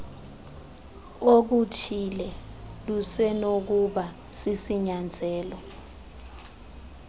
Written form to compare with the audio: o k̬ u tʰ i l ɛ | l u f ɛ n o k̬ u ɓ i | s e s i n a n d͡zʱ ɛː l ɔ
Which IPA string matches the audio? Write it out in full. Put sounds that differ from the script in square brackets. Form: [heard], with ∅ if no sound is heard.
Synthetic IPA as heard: o k̬ u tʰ i l ɛ | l u [s] ɛ n o k̬ u ɓ [a] | s [i] s i [ɲ] a n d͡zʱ ɛː l ɔ